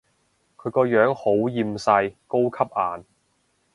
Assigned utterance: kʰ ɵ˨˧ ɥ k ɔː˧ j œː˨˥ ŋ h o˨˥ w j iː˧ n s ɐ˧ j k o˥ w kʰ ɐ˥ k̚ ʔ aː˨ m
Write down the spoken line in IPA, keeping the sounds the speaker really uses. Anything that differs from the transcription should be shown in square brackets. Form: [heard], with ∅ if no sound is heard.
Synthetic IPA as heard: kʰ ɵ˨˧ ɥ k ɔː˧ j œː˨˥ ŋ h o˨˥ w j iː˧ [m] s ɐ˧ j k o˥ w kʰ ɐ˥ [p̚] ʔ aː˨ [n]